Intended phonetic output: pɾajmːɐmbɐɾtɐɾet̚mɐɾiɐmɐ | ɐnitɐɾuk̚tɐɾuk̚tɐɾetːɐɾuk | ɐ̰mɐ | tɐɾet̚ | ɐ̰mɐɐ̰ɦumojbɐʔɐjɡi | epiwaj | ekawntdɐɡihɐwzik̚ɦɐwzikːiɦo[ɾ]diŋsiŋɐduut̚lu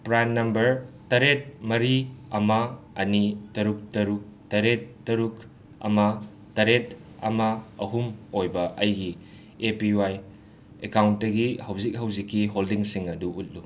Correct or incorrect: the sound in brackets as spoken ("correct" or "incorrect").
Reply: incorrect